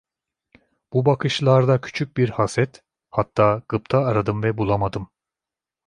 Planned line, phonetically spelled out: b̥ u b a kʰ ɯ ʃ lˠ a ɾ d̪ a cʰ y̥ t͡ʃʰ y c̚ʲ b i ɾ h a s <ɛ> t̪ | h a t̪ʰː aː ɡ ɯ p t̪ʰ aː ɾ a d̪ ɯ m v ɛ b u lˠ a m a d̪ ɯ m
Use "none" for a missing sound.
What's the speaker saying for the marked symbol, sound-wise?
ɛ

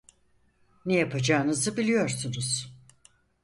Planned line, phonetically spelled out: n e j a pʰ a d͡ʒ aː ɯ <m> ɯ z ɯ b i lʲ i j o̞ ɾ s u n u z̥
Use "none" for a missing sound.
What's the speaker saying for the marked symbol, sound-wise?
n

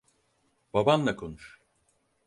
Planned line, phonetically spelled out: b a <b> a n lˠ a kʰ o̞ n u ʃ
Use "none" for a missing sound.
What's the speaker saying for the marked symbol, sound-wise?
b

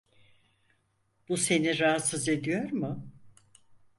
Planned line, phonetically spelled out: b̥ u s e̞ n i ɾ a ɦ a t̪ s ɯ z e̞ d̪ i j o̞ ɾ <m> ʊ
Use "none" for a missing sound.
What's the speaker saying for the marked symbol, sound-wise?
m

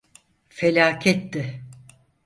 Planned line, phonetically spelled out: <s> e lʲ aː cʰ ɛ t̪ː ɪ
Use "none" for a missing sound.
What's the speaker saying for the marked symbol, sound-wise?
f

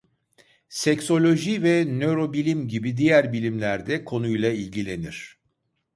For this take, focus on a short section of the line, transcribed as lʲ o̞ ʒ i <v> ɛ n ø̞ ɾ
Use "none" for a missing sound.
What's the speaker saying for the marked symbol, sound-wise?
v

